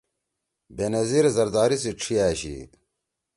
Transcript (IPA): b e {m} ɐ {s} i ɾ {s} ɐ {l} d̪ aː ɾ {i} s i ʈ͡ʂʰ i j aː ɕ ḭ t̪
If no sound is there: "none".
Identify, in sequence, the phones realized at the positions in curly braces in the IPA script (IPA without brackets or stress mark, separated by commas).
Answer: n, z, z, ɾ, i